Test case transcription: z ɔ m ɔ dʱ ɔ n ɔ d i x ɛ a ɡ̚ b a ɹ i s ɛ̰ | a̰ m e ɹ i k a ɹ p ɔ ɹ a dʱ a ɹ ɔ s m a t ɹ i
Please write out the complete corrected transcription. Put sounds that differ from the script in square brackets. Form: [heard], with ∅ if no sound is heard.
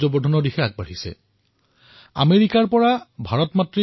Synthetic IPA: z ɔ [b] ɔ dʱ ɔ n ɔ d i x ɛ a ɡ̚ b a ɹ i s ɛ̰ | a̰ m e ɹ i k a ɹ p ɔ ɹ a [bʱ] a ɹ ɔ [t] m a t ɹ i